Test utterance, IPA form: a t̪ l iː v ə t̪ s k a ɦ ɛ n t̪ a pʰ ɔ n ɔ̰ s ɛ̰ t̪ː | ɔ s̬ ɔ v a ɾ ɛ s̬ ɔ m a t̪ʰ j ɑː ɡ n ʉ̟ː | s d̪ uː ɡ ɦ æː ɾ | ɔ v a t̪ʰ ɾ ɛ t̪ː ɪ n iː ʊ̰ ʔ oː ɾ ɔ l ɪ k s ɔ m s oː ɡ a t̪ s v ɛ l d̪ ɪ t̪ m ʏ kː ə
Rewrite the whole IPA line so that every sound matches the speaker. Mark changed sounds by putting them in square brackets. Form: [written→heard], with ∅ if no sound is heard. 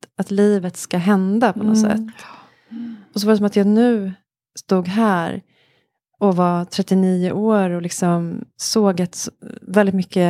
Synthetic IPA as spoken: a t̪ l iː v ə t̪ s k a ɦ ɛ n [t̪→d̪] a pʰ ɔ n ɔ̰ s ɛ̰ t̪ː | ɔ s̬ ɔ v a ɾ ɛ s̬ ɔ m a [t̪ʰ→t̪] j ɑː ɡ n ʉ̟ː | s [d̪→t̪] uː ɡ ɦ æː ɾ | ɔ v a t̪ʰ ɾ ɛ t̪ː ɪ n iː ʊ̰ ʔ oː ɾ ɔ l ɪ k s ɔ m s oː ɡ a t̪ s v ɛ l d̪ ɪ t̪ m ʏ kː ə